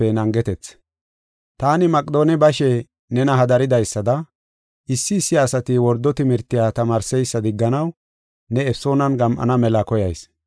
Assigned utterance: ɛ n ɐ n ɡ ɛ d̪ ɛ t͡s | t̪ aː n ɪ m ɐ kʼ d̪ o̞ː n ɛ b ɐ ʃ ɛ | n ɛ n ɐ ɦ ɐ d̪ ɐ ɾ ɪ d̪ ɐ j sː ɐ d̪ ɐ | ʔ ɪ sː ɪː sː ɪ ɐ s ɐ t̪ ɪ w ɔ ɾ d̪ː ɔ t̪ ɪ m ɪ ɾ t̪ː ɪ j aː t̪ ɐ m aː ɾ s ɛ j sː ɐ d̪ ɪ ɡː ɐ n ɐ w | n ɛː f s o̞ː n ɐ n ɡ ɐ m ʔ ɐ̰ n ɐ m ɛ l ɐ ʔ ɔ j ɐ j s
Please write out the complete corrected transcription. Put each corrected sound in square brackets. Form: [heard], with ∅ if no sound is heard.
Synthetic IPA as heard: ɛ n ɐ [ŋ] ɡ ɛ [t̪] ɛ t͡s | t̪ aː n ɪ m ɐ kʼ d̪ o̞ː n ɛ b ɐ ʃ ɛ | n ɛ n ɐ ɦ ɐ d̪ ɐ ɾ ɪ d̪ ɐ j sː ɐ d̪ ɐ | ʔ ɪ sː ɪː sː ɪ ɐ s ɐ t̪ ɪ w ɔ ɾ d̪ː ɔ t̪ ɪ m ɪ ɾ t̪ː ɪ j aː t̪ ɐ m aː ɾ s ɛ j sː ɐ d̪ ɪ ɡː ɐ n ɐ w | n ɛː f s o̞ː n ɐ n ɡ ɐ m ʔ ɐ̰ n ɐ m ɛ l ɐ [k] ɔ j ɐ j s